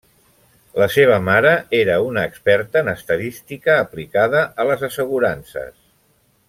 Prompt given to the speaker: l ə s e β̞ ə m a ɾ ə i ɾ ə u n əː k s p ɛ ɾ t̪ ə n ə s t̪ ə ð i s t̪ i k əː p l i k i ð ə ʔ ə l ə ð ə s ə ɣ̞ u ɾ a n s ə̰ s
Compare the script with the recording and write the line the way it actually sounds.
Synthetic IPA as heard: l ə s e β̞ ə m a ɾ ə e ɾ ə u n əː k s p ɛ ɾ t̪ ə n ə s t̪ ə ð i s t̪ i k əː p l i k a ð ə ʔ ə l ə z ə s ə ɣ̞ u ɾ a n s ə̰ s